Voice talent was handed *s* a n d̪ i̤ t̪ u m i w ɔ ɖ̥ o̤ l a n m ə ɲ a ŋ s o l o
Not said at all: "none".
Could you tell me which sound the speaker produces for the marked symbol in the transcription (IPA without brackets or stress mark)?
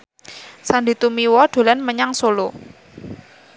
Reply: s